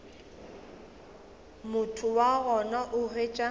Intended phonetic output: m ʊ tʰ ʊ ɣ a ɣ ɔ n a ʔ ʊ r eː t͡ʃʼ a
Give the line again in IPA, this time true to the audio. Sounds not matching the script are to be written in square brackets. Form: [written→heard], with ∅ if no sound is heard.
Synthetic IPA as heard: m ʊ tʰ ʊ [ɣ→w] a ɣ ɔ n a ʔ ʊ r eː t͡ʃʼ a